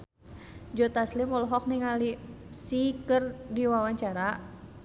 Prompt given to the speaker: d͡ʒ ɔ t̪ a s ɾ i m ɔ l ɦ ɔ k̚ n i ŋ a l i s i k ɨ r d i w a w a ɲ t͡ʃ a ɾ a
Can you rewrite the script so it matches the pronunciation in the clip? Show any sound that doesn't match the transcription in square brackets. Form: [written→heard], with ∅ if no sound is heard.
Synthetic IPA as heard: d͡ʒ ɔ t̪ a s [ɾ→l] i m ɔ l ɦ ɔ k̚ n i ŋ a l i s i k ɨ r d i w a w a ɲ t͡ʃ a ɾ a